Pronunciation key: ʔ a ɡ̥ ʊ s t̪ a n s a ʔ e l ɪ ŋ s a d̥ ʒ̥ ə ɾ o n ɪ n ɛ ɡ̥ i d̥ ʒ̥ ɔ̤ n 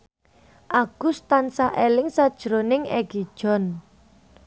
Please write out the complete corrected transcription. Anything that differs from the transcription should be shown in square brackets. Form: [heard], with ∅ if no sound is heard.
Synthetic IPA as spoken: ʔ a ɡ̥ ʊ s t̪ a n s a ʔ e l ɪ ŋ s a d̥ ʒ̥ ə ɾ o n ɪ [ŋ] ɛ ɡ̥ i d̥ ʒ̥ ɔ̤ n